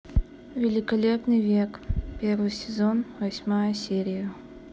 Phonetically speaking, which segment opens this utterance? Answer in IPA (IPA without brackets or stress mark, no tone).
vʲ